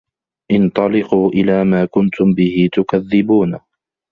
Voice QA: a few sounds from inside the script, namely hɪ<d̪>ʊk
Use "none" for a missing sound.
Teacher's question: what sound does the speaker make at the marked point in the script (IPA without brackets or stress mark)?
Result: t̪